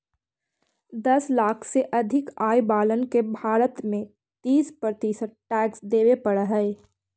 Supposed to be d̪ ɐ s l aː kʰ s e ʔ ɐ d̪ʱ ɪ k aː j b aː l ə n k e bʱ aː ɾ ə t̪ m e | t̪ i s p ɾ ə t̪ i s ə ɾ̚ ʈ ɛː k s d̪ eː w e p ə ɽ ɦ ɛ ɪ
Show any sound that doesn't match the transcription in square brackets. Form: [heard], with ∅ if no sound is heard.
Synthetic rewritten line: d̪ ɐ s l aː kʰ s e ʔ ɐ d̪ʱ ɪ k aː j b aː l ə n k e bʱ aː ɾ ə t̪ m [ẽ] | t̪ [iː] s p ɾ ə t̪ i s ə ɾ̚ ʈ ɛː k s d̪ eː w e p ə ɽ ɦ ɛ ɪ